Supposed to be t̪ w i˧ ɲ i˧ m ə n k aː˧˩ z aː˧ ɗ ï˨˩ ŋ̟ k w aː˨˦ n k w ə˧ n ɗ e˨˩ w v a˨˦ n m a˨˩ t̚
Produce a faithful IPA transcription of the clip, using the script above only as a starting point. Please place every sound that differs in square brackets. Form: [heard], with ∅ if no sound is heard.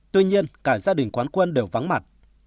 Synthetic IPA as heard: t̪ w i˧ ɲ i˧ [∅] ə n k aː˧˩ z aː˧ ɗ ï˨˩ ŋ̟ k w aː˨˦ n k w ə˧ n ɗ e˨˩ w v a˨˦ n m a˨˩ t̚